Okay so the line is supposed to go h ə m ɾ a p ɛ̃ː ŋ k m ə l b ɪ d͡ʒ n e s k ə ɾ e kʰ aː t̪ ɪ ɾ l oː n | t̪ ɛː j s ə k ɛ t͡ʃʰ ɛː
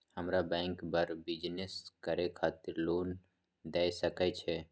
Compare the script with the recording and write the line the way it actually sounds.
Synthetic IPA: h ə m ɾ a b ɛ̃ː ŋ k b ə ɾ b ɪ d͡ʒ n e s k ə ɾ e kʰ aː t̪ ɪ ɾ l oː n | d̪ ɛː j s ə k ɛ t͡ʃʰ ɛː

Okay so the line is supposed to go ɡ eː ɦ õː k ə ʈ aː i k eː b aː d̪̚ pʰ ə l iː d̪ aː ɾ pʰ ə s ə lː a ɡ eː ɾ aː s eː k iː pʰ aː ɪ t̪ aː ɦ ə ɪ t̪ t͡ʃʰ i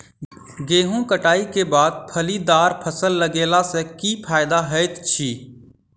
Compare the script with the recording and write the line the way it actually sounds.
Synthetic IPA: ɡ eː ɦ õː k ə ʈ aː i k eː b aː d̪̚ pʰ ə l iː d̪ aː ɾ pʰ ə s ə lː ə ɡ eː l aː s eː k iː pʰ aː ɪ d̪ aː ɦ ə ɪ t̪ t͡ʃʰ iː

